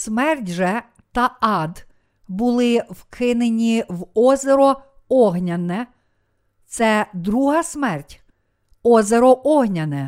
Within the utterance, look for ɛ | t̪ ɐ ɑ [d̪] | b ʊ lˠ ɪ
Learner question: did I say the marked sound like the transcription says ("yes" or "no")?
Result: yes